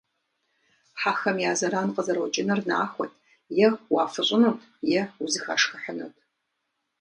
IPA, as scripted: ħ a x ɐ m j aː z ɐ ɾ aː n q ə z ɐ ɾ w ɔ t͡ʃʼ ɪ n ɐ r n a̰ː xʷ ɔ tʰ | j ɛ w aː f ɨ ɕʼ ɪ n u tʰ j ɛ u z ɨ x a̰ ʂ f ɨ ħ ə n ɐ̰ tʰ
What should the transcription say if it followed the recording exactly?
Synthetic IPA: ħ a x ɐ m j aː z ɐ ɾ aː n q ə z ɐ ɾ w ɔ t͡ʃʼ ɪ n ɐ r n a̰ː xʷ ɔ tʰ | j ɛ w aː f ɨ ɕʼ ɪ n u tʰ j ɛ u z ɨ x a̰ ʂ x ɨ ħ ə n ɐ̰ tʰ

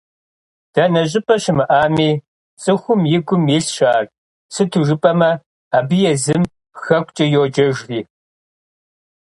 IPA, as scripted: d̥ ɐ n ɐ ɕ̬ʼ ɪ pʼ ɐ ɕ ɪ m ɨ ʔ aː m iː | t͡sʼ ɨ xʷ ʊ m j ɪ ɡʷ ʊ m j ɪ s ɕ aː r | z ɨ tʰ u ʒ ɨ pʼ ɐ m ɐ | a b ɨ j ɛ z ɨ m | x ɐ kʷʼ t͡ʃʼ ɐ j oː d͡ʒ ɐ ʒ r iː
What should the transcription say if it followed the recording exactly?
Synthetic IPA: d̥ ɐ n ɐ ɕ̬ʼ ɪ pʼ ɐ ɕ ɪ m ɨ ʔ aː m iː | t͡sʼ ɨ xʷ ʊ m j ɪ ɡʷ ʊ m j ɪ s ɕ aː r | s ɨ tʰ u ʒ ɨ pʼ ɐ m ɐ | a b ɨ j ɛ z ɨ m | x ɐ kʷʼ t͡ʃʼ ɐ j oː d͡ʒ ɐ ʒ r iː

